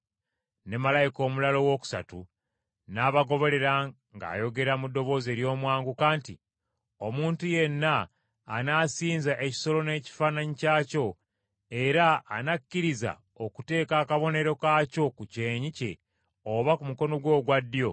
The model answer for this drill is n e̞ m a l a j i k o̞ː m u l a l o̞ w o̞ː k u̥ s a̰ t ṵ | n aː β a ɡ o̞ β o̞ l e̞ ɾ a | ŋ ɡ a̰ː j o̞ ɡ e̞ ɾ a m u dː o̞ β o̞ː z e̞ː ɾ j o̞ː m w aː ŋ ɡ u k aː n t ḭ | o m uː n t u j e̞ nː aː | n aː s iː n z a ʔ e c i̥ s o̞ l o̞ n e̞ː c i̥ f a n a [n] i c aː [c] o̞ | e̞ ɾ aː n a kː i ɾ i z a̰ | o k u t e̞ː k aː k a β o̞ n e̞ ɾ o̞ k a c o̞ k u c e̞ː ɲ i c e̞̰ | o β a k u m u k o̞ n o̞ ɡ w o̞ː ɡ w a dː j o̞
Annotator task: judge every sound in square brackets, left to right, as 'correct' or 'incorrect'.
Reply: incorrect: ɲ, correct

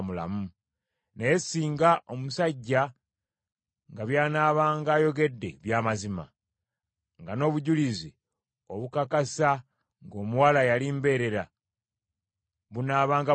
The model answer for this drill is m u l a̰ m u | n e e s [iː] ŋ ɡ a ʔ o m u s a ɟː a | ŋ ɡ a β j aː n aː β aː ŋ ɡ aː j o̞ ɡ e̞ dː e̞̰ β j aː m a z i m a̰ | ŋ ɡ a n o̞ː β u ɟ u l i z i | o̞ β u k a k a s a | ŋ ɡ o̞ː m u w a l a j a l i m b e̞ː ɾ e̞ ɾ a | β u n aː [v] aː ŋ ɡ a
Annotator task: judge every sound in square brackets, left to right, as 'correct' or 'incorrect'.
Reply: correct, incorrect: β

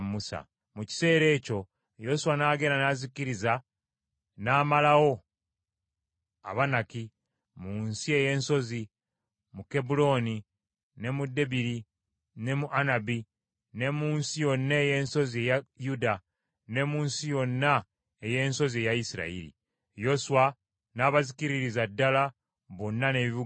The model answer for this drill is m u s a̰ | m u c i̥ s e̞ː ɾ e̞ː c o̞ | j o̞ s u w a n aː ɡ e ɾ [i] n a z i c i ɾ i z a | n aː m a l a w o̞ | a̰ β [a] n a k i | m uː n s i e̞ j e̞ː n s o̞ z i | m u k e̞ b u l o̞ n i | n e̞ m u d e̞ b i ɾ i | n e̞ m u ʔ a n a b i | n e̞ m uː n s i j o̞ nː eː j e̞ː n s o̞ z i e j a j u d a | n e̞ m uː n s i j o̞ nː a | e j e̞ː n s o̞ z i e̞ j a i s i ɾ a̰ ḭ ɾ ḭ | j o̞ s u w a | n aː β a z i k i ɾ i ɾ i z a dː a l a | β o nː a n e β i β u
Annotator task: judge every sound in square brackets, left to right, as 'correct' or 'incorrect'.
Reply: incorrect: a, correct

